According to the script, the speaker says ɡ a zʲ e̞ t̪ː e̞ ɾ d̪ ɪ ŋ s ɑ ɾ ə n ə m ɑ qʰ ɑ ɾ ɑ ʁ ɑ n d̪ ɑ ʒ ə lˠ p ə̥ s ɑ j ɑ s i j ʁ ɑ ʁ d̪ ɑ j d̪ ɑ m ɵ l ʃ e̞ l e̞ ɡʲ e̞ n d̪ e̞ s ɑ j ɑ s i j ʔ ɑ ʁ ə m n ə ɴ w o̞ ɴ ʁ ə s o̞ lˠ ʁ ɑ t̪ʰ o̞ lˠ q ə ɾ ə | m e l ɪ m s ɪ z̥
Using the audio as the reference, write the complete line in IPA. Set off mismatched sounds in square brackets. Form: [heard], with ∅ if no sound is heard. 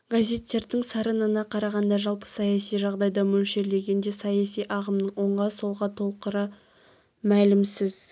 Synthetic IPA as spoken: ɡ a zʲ e̞ t̪ː e̞ ɾ d̪ ɪ ŋ s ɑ ɾ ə n ə [n] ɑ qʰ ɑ ɾ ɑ ʁ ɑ n d̪ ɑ ʒ [ɑ] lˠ p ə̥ s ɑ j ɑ s i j [ʒ] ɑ ʁ d̪ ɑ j d̪ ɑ m ɵ l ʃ e̞ l e̞ ɡʲ e̞ n d̪ e̞ s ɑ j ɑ s i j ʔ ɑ ʁ ə m n ə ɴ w o̞ ɴ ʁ [ɑ] s o̞ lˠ ʁ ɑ t̪ʰ o̞ lˠ q ə ɾ ə | m [æ] l ɪ m s ɪ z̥